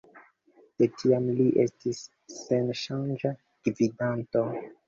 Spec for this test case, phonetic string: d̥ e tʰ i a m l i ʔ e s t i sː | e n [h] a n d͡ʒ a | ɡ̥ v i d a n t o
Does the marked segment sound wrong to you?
yes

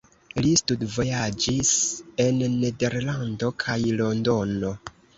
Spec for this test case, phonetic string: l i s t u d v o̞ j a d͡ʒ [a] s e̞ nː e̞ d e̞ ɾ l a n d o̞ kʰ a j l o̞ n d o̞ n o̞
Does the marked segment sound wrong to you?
yes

